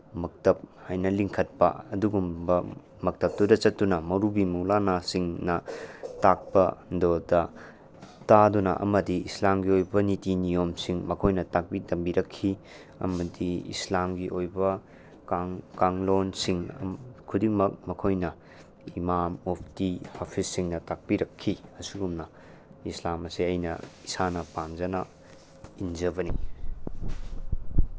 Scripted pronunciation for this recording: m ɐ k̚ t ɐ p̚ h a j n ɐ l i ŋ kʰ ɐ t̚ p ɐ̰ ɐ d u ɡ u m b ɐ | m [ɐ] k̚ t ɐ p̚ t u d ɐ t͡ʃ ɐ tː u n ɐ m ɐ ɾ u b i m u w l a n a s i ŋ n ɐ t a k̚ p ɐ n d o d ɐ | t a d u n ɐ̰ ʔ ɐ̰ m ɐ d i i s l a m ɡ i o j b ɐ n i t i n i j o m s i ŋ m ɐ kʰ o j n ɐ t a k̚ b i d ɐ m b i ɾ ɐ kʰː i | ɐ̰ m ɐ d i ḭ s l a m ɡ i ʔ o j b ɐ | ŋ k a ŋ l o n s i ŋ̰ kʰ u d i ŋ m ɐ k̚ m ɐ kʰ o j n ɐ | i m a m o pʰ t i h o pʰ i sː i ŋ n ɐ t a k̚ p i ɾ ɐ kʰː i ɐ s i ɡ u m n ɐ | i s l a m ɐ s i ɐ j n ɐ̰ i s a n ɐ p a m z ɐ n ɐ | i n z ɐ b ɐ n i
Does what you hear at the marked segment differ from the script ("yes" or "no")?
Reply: no